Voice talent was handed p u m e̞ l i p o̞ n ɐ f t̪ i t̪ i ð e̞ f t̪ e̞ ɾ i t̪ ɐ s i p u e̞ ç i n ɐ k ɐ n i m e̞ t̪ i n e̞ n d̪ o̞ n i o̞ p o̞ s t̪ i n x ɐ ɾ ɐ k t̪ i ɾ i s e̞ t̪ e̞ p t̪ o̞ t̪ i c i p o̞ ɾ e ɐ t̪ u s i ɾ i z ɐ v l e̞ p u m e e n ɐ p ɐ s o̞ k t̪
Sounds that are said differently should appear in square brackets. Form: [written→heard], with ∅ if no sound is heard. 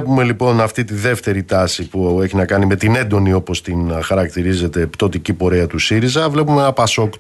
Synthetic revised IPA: p u m e̞ l i p o̞ n ɐ f t̪ i t̪ i ð e̞ f t̪ e̞ ɾ i t̪ ɐ s i p u e̞ ç i n ɐ k ɐ n i m e̞ t̪ i n e̞ n d̪ o̞ n i o̞ p o̞ s t̪ i n x ɐ ɾ ɐ k t̪ i ɾ i [s→z] e̞ t̪ e̞ p t̪ o̞ t̪ i c i p o̞ ɾ e ɐ t̪ u s i ɾ i z ɐ v l e̞ p u m e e n ɐ p ɐ s o̞ k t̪